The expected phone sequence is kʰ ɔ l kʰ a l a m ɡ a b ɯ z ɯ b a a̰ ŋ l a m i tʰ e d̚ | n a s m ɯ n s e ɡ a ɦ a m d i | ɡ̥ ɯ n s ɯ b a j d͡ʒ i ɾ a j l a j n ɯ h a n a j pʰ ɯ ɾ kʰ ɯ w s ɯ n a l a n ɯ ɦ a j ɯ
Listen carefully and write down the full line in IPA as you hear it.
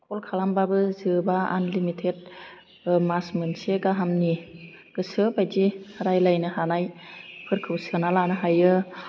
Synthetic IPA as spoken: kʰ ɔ l kʰ a l a m b a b ɯ z ɯ b a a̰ n l i m i tʰ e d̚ | m a s m ɯ n s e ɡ a ɦ a m n i | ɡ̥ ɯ s ɯ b a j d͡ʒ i ɾ a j l a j n ɯ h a n a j pʰ ɯ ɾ kʰ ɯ w s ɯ n a l a n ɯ ɦ a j ɯ